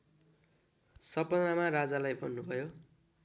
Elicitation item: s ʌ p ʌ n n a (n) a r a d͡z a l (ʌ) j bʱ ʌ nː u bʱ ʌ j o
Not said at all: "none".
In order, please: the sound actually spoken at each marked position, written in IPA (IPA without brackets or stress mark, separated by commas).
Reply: m, a